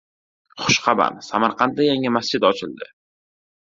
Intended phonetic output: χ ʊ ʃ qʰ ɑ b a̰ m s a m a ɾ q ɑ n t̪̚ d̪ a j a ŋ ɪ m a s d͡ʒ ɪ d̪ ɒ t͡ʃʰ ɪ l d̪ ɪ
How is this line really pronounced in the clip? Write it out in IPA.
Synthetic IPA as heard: χ ʊ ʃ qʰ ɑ b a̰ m s a m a ɾ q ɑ n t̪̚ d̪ a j a ŋ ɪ m a s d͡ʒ ɪ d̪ ɒ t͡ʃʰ ɪ l d̪ ɪ